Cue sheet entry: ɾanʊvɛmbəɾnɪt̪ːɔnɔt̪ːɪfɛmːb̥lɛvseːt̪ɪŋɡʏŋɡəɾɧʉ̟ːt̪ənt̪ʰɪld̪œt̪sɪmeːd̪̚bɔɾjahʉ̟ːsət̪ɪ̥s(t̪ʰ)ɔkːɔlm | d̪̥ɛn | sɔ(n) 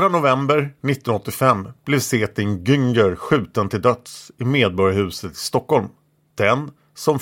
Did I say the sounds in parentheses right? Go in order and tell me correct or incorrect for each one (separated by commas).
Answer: incorrect, incorrect